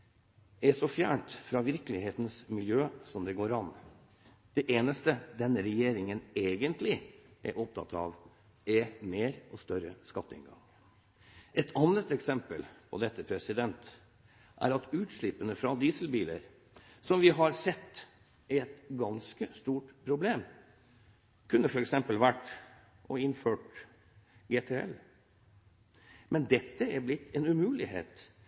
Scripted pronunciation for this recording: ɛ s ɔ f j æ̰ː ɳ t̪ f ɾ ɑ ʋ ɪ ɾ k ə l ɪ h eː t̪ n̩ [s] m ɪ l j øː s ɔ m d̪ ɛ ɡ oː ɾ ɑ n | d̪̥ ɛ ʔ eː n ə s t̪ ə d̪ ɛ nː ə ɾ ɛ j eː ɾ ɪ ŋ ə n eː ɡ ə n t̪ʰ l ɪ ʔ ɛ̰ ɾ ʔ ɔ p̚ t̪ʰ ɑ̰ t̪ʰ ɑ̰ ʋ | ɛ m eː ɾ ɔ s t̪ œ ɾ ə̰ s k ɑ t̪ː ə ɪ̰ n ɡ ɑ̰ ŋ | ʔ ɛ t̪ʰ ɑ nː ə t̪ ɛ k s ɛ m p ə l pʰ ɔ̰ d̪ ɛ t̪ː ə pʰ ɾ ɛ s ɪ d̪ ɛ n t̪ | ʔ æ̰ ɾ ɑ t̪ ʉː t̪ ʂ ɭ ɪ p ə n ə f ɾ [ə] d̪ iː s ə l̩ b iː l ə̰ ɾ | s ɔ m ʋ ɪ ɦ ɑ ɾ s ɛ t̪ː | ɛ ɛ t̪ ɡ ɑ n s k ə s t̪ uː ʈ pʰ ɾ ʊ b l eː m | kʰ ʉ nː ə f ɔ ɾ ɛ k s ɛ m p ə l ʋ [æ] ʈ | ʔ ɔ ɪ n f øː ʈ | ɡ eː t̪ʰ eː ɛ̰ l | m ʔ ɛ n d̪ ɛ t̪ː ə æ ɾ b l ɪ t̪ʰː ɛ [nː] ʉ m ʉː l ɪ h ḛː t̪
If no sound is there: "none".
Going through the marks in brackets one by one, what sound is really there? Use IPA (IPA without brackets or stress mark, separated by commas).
s, ɑ, æ, n